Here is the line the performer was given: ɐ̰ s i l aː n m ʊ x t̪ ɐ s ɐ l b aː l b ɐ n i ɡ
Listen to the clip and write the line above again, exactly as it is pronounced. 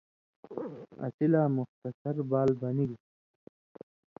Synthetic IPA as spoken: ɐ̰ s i l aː m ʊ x t̪ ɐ s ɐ ɾ b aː l b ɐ n i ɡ